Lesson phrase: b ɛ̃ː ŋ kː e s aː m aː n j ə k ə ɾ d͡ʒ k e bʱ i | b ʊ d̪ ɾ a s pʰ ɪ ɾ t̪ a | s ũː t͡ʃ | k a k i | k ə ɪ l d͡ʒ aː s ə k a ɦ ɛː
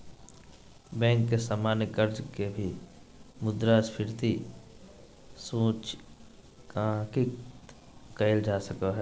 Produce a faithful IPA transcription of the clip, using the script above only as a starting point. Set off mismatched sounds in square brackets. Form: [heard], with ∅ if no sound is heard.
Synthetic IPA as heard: b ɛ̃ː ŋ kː e s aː m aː n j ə k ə ɾ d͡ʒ k e bʱ i | [m] ʊ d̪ ɾ a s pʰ ɪ ɾ t̪ [i] | s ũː t͡ʃ | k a k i | k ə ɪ l d͡ʒ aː s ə k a ɦ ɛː